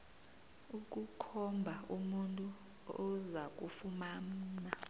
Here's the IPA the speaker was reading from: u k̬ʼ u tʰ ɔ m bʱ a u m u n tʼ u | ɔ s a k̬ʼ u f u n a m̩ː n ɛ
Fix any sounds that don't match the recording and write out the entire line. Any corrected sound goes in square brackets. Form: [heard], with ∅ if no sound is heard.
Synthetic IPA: u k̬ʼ u [kʰ] ɔ m bʱ a u m u n tʼ u | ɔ [z] a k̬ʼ u f u [m] a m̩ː n [a]